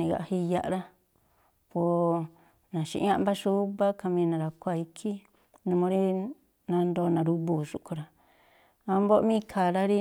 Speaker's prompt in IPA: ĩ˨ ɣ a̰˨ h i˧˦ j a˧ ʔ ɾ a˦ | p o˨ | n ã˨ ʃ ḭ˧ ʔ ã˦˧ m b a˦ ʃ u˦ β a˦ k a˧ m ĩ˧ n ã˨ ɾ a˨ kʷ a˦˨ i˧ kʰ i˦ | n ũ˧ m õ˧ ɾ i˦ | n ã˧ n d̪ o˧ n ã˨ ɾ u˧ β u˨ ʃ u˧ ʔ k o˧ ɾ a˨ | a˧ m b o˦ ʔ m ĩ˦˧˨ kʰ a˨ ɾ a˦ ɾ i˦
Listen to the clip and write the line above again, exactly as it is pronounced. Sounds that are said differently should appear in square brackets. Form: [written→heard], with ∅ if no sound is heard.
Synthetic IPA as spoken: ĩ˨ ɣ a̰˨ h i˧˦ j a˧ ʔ ɾ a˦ | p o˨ | n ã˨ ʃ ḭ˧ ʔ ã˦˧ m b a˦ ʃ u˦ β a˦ k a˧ m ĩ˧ n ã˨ ɾ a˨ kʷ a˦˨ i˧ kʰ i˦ | n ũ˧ m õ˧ ɾ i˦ | n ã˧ n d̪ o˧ n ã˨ ɾ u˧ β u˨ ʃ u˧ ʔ k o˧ ɾ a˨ | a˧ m b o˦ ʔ m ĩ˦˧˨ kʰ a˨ ɾ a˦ ɾ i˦